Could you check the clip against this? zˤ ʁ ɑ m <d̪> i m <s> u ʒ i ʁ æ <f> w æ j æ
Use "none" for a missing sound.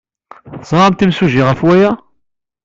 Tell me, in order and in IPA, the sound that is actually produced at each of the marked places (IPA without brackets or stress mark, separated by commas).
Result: t̪, s, f